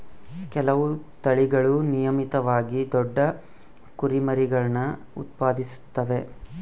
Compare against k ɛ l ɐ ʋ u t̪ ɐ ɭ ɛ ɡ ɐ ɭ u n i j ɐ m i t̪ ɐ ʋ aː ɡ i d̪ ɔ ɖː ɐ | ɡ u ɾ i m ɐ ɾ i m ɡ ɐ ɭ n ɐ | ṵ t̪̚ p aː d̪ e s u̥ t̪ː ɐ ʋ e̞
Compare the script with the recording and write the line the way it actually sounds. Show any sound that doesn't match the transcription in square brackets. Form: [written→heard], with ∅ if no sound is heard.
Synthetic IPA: k ɛ l ɐ ʋ u t̪ ɐ ɭ [ɛ→i] ɡ ɐ ɭ u n i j ɐ m i t̪ ɐ ʋ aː ɡ i d̪ ɔ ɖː ɐ | [ɡ→k] u ɾ i m ɐ ɾ i [m→∅] ɡ ɐ ɭ n ɐ | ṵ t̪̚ p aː d̪ [e→i] s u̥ t̪ː ɐ ʋ e̞